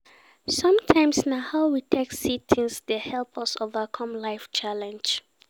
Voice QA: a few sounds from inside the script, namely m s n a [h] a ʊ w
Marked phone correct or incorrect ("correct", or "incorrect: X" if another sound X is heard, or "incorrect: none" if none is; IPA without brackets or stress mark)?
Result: correct